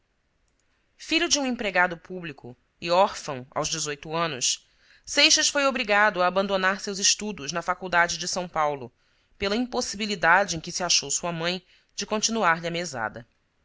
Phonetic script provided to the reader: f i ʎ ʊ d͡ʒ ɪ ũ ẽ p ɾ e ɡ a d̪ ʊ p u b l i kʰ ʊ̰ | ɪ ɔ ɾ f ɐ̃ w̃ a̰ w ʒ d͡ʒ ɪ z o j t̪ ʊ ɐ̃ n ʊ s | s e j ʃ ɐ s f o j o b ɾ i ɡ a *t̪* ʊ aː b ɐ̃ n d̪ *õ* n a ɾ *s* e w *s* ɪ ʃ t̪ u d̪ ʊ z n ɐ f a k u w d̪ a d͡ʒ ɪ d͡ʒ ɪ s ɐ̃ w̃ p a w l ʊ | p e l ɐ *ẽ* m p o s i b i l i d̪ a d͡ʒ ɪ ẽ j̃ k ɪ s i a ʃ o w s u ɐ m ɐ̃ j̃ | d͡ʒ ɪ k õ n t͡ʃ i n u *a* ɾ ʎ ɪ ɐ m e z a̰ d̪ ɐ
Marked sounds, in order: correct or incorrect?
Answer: incorrect, incorrect, correct, incorrect, incorrect, correct

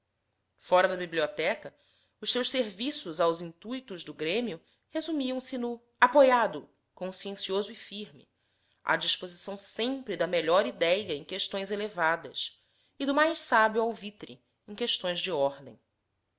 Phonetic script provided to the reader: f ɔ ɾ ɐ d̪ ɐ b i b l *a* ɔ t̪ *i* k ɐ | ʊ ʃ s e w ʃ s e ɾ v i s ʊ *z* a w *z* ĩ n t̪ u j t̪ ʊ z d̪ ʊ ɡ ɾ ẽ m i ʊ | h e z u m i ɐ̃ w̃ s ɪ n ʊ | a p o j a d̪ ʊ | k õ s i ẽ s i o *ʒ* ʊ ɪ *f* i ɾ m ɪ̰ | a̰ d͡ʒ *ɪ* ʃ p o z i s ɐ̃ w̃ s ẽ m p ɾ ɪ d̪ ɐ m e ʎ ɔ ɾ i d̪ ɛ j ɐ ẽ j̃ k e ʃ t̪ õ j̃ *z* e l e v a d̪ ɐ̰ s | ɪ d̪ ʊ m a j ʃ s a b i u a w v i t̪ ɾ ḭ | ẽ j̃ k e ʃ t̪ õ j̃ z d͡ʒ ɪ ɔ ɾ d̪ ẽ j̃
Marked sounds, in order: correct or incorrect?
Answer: incorrect, incorrect, correct, correct, incorrect, correct, incorrect, correct

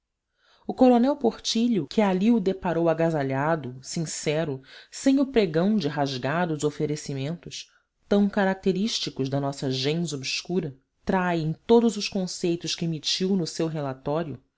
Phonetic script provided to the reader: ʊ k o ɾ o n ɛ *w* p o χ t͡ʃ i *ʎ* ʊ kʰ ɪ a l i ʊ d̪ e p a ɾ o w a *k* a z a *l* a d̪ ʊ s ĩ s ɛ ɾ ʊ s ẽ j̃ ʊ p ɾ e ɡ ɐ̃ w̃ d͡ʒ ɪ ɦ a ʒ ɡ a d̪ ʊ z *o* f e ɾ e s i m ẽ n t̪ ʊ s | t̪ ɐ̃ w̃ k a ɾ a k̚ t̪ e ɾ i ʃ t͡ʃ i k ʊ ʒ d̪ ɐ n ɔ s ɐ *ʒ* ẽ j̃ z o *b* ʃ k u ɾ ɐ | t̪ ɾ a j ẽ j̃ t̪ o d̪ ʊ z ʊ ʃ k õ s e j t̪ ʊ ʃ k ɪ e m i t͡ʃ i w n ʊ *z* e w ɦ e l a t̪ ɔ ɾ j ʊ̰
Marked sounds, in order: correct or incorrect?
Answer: correct, correct, incorrect, incorrect, correct, correct, correct, incorrect

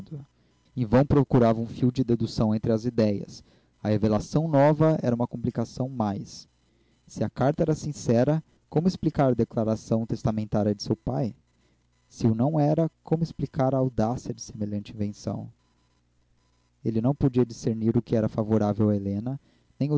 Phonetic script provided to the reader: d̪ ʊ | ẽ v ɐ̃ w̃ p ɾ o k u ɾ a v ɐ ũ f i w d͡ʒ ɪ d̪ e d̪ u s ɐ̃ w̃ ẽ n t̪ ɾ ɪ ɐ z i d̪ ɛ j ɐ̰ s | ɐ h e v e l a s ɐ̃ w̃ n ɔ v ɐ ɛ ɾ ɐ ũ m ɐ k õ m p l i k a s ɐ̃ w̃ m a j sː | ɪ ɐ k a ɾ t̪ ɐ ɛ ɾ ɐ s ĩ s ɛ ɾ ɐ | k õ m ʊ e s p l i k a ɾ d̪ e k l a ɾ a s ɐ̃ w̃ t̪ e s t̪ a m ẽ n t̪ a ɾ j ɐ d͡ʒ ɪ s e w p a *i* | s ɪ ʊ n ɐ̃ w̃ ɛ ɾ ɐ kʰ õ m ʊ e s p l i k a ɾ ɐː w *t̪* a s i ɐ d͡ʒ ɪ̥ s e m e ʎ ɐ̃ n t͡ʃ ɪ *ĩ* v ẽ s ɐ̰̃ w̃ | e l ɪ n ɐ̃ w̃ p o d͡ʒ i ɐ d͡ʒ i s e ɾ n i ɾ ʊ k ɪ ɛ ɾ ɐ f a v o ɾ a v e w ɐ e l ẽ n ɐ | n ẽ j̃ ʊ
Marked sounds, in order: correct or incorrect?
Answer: incorrect, incorrect, correct

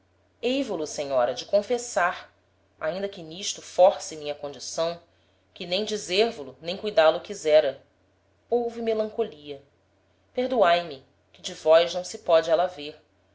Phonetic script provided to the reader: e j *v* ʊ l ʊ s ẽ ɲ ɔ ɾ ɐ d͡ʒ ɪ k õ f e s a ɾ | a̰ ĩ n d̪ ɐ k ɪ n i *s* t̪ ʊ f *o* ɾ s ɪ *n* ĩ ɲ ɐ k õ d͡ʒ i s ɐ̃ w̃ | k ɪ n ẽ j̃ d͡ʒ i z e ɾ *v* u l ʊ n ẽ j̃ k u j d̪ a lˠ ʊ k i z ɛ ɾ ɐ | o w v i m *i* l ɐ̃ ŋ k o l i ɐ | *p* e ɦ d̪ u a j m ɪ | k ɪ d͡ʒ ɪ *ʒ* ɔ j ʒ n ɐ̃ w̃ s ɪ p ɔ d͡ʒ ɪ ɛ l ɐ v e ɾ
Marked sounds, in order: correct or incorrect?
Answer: correct, incorrect, incorrect, incorrect, correct, incorrect, correct, incorrect

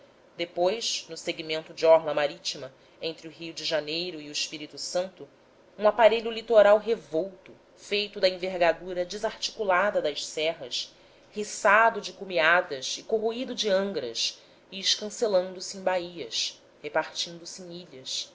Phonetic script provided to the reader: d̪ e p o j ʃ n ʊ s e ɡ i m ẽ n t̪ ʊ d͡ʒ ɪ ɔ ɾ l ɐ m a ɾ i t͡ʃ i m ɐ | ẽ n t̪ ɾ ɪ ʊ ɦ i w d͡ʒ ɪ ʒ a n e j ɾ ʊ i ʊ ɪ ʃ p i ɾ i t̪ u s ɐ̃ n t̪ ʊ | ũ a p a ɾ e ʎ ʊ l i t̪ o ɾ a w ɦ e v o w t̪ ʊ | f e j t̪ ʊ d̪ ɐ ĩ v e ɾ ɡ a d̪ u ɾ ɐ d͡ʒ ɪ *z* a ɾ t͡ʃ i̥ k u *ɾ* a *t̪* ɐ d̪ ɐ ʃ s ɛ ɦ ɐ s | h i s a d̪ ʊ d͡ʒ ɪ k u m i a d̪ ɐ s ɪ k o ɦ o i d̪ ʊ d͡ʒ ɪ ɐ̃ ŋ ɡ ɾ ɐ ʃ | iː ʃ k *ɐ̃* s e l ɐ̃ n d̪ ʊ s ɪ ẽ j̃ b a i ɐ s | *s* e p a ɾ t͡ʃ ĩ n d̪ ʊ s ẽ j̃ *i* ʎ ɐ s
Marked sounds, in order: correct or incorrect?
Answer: correct, incorrect, incorrect, correct, incorrect, correct

